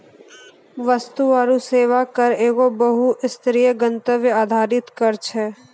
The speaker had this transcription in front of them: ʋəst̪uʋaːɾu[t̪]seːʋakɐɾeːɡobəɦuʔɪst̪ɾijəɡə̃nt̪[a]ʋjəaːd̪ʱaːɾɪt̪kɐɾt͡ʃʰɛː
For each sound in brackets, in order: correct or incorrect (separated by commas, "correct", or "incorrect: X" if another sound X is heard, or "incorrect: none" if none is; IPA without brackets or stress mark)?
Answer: incorrect: none, incorrect: ə